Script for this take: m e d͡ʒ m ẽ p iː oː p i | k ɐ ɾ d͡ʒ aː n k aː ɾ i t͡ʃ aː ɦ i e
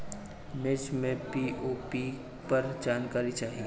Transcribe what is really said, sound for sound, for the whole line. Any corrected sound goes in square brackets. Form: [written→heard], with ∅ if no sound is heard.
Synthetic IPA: m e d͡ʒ m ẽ p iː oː p i | [k→p] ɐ ɾ d͡ʒ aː n k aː ɾ i t͡ʃ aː ɦ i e